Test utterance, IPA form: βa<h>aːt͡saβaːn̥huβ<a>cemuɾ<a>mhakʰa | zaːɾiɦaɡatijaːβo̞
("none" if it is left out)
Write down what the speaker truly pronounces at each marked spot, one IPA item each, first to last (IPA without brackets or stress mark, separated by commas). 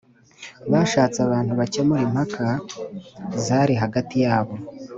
ʃ, a, i